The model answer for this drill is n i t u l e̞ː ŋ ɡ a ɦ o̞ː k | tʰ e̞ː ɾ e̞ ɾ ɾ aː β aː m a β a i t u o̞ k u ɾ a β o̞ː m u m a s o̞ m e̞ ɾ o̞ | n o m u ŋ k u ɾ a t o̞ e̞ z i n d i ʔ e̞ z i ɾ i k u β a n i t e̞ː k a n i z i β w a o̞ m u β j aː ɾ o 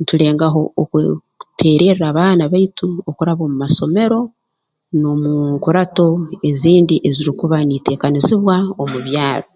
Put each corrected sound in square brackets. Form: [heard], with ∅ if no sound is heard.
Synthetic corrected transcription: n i t u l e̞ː ŋ ɡ a ɦ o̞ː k | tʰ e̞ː ɾ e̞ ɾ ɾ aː β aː [n] a β a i t u o̞ k u ɾ a β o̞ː m u m a s o̞ m e̞ ɾ o̞ | n o m u ŋ k u ɾ a t o̞ e̞ z [iː] n d i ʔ e̞ z i ɾ i k u β a n i t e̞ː k a n i z i β w a o̞ m u β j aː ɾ o